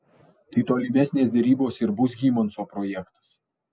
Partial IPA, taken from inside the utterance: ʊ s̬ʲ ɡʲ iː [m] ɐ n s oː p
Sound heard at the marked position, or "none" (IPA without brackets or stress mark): m